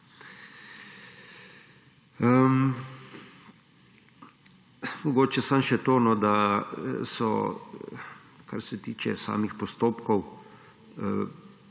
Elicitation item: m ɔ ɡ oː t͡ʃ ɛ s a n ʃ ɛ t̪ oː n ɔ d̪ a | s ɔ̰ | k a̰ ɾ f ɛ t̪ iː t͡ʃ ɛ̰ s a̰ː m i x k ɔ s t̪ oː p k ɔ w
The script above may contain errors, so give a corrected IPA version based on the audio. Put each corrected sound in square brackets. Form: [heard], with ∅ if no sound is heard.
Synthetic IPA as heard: m ɔ ɡ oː t͡ʃ ɛ s a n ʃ ɛ t̪ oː n ɔ d̪ a | s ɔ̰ | k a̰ ɾ [s] ɛ t̪ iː t͡ʃ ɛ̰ s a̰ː m i x [p] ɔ s t̪ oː p k ɔ w